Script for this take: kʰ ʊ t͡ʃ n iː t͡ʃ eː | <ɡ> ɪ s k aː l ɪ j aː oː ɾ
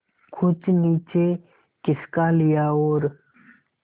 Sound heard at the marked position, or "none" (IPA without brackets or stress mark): k